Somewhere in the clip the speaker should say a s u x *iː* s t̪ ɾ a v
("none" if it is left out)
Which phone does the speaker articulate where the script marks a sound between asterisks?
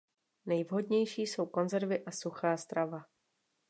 aː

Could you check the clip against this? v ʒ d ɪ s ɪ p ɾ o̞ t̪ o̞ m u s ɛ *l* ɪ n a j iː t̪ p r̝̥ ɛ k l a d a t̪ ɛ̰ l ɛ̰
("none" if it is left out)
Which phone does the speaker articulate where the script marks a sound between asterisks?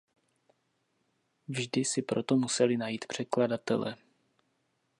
l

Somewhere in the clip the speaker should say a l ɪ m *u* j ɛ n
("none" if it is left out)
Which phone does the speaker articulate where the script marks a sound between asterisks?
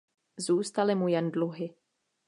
u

